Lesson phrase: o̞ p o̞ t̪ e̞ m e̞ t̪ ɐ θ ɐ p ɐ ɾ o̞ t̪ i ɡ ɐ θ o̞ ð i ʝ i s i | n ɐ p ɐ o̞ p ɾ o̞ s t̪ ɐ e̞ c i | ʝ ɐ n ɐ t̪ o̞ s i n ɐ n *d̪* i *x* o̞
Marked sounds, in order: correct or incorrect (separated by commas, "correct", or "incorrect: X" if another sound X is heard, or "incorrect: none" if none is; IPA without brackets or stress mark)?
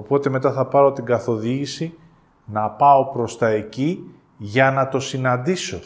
correct, incorrect: s